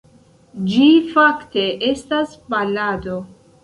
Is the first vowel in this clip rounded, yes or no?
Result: no